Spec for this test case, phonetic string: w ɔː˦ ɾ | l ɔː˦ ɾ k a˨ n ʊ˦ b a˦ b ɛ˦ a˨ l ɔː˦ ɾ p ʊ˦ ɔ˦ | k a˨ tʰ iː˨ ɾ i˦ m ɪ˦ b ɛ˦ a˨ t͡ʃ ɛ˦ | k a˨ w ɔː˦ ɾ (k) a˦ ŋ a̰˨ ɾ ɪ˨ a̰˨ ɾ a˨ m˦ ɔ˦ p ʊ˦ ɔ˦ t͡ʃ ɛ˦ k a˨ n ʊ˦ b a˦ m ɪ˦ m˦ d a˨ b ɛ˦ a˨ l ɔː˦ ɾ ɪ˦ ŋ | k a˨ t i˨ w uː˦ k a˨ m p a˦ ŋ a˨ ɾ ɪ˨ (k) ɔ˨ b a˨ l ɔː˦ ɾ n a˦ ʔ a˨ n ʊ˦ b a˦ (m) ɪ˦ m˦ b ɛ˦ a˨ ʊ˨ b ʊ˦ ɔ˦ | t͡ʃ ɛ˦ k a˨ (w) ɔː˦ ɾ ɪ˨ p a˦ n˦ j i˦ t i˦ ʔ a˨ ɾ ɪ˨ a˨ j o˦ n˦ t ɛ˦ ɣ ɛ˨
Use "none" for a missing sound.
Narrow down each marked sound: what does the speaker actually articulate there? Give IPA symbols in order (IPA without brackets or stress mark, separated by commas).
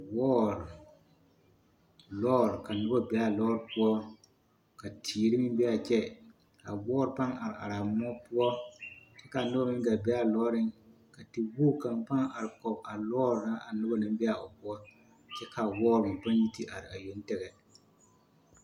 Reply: p, k, n, w